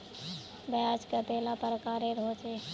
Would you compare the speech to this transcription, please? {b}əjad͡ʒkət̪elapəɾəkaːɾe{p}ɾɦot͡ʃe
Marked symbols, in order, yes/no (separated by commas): yes, no